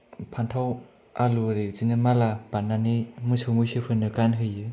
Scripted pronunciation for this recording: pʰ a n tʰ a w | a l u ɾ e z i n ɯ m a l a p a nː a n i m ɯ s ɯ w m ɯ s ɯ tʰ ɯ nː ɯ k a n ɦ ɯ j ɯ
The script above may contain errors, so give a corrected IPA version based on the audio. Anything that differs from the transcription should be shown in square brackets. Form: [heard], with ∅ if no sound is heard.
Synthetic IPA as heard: pʰ a n tʰ a w | a l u ɾ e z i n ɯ m a l a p a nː a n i m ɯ s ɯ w m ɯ s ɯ [pʰ] ɯ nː ɯ k a n ɦ ɯ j ɯ